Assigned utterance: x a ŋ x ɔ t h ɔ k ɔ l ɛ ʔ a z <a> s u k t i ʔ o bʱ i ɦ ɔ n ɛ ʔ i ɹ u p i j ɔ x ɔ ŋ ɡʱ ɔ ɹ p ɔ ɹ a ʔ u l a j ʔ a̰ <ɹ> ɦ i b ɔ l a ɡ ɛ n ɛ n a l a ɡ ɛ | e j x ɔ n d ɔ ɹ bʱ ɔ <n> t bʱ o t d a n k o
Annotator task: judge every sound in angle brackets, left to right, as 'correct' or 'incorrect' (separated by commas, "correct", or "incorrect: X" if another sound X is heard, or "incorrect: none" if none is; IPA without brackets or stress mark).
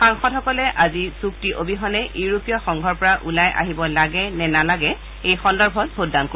incorrect: i, incorrect: none, incorrect: none